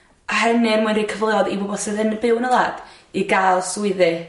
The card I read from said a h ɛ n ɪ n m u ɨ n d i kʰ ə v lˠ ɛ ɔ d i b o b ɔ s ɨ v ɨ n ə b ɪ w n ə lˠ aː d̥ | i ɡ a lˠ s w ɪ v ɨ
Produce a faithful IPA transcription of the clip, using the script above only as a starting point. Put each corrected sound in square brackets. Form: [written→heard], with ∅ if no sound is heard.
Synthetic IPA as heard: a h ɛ n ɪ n m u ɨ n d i kʰ ə v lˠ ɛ ɔ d i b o b ɔ s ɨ [v→ð] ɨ n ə b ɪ w n ə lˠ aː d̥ | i ɡ a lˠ s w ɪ [v→ð] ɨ